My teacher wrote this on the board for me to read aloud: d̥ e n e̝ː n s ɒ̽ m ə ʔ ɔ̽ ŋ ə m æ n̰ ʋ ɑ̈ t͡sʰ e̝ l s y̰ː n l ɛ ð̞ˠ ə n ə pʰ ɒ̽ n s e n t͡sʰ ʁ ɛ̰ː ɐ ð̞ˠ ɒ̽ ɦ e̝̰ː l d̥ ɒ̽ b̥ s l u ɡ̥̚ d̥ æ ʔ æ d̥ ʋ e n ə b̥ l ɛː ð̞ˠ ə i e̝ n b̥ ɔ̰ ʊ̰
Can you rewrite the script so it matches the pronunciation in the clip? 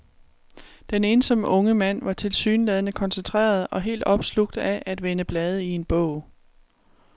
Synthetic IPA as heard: d̥ e n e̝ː n s ɒ̽ m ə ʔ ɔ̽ ŋ ə m æ n̰ ʋ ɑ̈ t͡sʰ e̝ l s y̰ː n l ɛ ð̞ˠ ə n ə kʰ ɒ̽ n s e n t͡sʰ ʁ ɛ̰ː ɐ ð̞ˠ ɒ̽ ɦ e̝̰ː l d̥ ɒ̽ b̥ s l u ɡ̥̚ d̥ æ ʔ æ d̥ ʋ e n ə b̥ l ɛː ð̞ˠ ə i e̝ n b̥ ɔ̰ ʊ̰